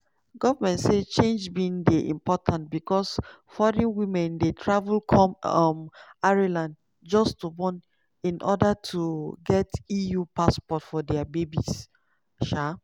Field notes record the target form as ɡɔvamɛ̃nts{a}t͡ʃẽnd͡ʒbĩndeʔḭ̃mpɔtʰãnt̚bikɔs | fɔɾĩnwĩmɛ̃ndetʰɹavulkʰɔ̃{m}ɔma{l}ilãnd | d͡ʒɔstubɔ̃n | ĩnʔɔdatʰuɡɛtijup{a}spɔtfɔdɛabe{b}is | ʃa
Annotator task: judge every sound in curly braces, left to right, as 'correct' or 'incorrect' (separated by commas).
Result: incorrect, correct, incorrect, correct, correct